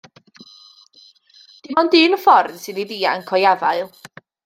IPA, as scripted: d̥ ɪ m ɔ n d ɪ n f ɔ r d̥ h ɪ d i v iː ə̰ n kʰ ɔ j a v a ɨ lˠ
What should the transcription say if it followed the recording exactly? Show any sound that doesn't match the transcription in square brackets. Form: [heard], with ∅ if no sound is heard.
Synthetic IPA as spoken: d̥ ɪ m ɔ n d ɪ n f ɔ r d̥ [s] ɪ [n] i [ð] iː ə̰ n kʰ ɔ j a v a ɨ lˠ